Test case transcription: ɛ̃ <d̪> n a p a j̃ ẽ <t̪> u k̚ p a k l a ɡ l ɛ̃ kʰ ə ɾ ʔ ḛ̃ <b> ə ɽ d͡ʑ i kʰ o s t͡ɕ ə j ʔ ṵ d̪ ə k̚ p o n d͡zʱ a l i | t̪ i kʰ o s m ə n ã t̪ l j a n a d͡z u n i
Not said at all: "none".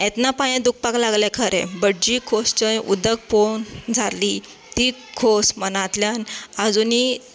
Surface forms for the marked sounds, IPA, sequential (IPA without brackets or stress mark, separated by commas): t̪, d̪, b